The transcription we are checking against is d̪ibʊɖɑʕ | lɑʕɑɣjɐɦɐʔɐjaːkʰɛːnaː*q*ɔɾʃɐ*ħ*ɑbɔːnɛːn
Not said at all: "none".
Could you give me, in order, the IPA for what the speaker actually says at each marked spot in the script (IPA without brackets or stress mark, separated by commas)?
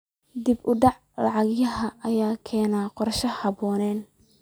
q, h